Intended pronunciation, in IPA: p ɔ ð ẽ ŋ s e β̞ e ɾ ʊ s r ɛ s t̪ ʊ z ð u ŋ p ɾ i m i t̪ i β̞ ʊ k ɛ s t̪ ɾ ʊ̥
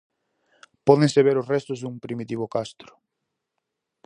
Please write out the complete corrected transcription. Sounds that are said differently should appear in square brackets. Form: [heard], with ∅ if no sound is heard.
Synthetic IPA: p ɔ ð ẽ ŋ s e β̞ e ɾ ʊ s r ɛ s t̪ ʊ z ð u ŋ p ɾ i m i t̪ i β̞ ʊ k [a] s t̪ ɾ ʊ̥